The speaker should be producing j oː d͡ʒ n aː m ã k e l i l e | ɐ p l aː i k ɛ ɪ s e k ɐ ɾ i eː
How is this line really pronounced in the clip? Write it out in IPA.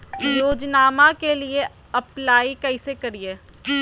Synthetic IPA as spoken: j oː d͡ʒ n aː m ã k e l i e | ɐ p l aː i k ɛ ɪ s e k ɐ ɾ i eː